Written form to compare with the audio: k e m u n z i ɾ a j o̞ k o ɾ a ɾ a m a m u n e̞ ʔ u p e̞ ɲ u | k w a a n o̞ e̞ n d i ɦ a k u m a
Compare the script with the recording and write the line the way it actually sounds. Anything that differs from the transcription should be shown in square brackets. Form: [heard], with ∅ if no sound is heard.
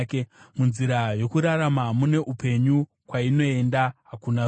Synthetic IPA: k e m u n z i ɾ a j o̞ k [u] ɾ a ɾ a m a m u n e̞ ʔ u p e̞ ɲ u | k w a [i] n o̞ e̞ n d [a] ɦ a k u [n] a